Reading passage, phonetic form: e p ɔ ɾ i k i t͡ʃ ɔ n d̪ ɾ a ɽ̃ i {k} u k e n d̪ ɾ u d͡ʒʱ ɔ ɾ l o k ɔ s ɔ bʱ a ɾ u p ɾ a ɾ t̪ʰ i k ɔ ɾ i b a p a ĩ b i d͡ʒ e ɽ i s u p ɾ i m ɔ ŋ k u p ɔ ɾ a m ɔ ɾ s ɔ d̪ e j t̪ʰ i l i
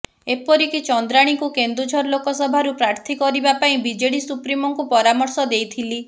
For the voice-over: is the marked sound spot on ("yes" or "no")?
yes